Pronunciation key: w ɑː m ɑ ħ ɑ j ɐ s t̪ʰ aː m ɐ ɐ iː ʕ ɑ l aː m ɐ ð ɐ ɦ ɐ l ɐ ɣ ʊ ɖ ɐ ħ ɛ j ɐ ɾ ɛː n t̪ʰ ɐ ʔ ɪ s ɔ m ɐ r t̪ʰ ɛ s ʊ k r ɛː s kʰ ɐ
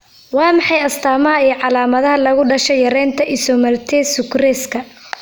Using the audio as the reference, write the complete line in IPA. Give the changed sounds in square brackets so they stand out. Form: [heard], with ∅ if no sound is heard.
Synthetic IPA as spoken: w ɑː m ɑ ħ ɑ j ɐ s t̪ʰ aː m ɐ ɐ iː ʕ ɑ l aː m ɐ ð ɐ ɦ ɐ l ɐ ɣ ʊ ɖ ɐ [ʃ] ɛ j ɐ ɾ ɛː n t̪ʰ ɐ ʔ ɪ s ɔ m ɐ r t̪ʰ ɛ s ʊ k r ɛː s kʰ ɐ